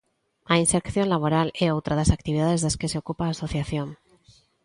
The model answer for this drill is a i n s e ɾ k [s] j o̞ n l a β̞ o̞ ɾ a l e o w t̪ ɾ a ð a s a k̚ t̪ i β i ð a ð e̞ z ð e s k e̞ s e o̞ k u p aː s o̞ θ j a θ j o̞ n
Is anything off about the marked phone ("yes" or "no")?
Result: yes